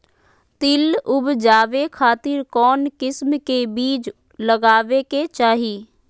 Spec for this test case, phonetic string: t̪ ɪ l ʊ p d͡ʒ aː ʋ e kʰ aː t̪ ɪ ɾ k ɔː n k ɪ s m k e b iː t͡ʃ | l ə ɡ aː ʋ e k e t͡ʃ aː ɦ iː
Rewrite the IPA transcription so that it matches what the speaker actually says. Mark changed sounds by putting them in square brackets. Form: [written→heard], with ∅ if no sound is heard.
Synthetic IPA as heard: t̪ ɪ l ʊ [p→b] d͡ʒ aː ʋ e kʰ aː t̪ ɪ ɾ k ɔː n k ɪ s m k e b iː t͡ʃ | l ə ɡ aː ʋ e k e t͡ʃ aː ɦ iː